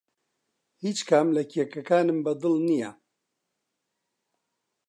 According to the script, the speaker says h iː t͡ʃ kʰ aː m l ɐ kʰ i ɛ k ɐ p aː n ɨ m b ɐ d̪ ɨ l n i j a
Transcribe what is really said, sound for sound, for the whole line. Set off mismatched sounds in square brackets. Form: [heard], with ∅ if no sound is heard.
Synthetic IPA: h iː t͡ʃ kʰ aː m l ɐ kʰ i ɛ k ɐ [k] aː n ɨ m b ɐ d̪ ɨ l n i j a